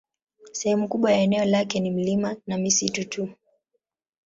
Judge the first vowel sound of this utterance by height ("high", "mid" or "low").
mid